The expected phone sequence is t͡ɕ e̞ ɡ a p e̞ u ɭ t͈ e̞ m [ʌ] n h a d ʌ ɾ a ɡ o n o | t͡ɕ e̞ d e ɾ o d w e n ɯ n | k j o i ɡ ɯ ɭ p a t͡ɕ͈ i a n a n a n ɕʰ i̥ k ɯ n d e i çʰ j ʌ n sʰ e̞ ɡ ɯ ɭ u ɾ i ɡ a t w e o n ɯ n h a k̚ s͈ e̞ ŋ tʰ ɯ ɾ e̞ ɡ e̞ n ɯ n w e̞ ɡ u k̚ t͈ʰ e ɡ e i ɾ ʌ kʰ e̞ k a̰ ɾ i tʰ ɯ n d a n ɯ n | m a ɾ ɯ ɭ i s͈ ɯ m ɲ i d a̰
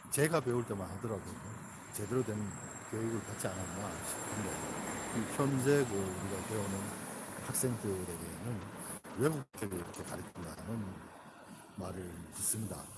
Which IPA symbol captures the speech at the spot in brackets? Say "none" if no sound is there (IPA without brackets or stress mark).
a